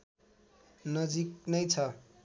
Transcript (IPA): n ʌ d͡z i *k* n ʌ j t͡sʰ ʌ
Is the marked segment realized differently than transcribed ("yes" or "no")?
no